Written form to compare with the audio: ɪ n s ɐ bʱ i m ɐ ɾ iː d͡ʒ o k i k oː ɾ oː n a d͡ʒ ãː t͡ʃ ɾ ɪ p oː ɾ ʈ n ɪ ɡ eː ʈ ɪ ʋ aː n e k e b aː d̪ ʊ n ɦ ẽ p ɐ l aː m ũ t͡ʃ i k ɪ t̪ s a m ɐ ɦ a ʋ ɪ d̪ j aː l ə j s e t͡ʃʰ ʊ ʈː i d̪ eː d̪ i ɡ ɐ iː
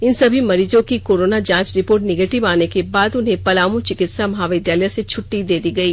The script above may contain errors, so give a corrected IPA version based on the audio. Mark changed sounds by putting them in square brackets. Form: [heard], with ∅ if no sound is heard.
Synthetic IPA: ɪ n s ɐ bʱ i m ɐ ɾ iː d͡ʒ [õ] k i k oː ɾ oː n a d͡ʒ ãː t͡ʃ ɾ ɪ p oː ɾ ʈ n ɪ ɡ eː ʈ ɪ ʋ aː n e k e b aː d̪ ʊ n ɦ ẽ p ɐ l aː m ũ t͡ʃ [ɪ] k ɪ t̪ s a m ɐ ɦ a ʋ ɪ d̪ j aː l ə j s e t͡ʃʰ ʊ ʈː i d̪ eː d̪ i ɡ ɐ iː